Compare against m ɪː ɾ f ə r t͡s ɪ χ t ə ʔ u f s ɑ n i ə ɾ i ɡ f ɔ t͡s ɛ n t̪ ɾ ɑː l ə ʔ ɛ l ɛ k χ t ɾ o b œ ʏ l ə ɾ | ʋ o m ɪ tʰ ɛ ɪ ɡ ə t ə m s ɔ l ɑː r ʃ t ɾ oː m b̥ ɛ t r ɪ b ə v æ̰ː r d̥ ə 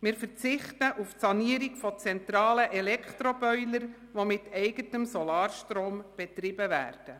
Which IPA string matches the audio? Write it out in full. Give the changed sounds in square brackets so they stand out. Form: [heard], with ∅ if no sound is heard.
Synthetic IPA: m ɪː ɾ f ə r t͡s ɪ χ t ə ʔ u f s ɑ n i ə ɾ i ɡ f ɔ t͡s ɛ n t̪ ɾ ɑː l ə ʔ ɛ l ɛ k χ t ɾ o b œ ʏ l ə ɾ | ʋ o m ɪ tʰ ɛ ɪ ɡ ə t ə m s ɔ l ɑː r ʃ t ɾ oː m b̥ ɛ t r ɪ b ə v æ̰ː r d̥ ə